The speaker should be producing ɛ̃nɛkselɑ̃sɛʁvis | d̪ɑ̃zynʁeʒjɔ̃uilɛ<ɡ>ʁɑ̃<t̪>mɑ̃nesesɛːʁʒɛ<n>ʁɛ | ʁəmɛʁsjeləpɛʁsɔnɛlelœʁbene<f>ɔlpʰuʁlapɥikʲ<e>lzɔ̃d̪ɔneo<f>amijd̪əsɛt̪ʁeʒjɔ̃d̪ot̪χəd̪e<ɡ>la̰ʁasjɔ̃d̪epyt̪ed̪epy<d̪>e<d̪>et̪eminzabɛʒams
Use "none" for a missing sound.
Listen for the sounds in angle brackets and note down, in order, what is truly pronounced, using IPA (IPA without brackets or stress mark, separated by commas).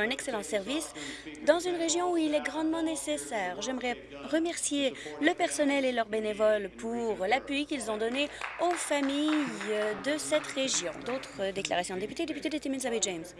ɡ, d̪, m, v, i, f, k, t̪, d̪